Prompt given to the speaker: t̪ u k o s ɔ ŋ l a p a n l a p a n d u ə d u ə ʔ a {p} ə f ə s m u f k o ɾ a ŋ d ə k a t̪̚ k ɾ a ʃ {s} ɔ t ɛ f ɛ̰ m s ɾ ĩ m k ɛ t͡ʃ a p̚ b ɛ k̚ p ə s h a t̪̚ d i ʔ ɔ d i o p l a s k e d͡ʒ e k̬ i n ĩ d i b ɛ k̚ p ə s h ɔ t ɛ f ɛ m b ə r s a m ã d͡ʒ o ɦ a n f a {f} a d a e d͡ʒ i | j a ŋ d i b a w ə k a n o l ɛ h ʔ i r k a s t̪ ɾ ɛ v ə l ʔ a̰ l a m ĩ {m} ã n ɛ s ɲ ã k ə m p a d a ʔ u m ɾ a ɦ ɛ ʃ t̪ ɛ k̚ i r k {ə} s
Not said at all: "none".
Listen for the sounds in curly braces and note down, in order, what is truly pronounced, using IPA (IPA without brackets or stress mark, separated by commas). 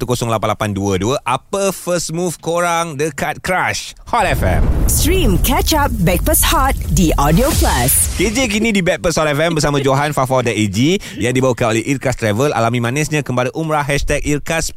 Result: p, h, f, m, a